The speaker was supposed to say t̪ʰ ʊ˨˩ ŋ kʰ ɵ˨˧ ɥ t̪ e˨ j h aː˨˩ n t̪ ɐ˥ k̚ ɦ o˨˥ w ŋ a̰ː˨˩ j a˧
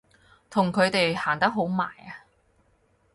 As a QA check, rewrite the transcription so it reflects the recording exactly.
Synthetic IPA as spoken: t̪ʰ ʊ˨˩ ŋ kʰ ɵ˨˧ ɥ t̪ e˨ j h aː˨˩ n t̪ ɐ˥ k̚ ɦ o˨˥ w m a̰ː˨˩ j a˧